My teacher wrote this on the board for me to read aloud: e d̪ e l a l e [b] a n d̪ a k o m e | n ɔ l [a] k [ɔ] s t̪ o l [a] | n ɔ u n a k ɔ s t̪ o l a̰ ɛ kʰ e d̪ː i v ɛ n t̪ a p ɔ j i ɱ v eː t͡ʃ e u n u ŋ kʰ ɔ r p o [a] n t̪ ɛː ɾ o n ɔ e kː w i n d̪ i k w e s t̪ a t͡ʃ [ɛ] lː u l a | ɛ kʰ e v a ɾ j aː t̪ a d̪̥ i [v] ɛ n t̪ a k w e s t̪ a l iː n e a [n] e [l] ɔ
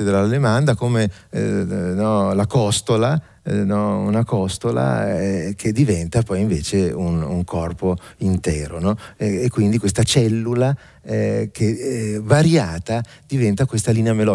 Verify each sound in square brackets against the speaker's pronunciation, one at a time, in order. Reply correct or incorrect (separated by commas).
incorrect, correct, correct, correct, incorrect, correct, correct, incorrect, correct